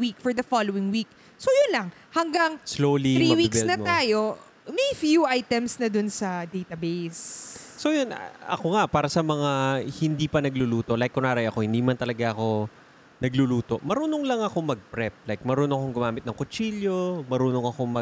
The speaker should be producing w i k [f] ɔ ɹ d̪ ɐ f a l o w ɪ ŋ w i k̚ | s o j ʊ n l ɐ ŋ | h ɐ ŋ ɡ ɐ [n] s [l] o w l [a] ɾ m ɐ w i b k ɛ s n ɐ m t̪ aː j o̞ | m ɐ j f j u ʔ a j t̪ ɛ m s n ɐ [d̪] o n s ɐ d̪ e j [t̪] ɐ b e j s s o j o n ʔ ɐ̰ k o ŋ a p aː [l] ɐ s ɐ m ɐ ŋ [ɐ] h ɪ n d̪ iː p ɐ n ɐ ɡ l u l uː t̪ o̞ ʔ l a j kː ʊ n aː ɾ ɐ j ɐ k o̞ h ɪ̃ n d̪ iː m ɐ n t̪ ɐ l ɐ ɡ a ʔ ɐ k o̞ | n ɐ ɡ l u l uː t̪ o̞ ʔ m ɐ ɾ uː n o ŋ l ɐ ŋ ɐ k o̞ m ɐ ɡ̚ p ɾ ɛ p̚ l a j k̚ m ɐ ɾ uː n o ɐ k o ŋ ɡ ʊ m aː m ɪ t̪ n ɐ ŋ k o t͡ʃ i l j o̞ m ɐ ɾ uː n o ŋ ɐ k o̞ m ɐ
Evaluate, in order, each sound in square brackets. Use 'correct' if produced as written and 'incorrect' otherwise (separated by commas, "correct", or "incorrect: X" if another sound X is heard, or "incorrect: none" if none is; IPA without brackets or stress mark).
correct, incorrect: ŋ, correct, incorrect: i, correct, correct, incorrect: ɾ, incorrect: a